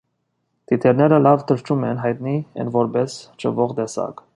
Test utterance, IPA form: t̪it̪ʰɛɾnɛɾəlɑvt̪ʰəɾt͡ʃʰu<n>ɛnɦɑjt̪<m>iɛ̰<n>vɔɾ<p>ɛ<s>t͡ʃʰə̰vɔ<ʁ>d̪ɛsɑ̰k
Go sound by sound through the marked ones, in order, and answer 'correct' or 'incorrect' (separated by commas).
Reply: incorrect, incorrect, correct, incorrect, correct, correct